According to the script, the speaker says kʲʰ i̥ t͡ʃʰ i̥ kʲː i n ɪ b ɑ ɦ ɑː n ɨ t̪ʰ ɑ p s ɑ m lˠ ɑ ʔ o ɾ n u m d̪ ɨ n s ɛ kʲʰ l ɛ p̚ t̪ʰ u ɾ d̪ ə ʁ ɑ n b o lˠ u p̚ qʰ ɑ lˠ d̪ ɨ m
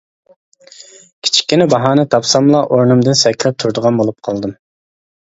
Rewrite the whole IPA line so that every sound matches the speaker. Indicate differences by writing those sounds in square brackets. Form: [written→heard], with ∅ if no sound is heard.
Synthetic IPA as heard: kʲʰ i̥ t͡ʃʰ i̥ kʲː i n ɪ b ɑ ɦ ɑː n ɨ t̪ʰ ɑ p s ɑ m lˠ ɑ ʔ o ɾ n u m d̪ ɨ n s ɛ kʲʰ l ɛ p̚ t̪ʰ u ɾ d̪ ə ʁ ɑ n b o lˠ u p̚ qʰ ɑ lˠ d̪ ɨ m